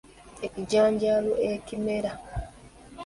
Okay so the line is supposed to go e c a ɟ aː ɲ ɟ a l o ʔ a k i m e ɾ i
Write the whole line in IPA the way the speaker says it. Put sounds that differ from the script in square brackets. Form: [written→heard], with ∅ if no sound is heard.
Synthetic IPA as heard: e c [a→i] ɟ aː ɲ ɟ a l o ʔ [a→e] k i m e ɾ [i→a]